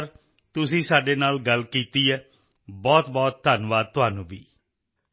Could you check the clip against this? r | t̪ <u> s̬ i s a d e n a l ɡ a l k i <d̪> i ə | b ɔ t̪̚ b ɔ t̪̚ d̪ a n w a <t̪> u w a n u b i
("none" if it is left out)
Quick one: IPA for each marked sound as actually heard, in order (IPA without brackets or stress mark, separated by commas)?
u, t̪, t̪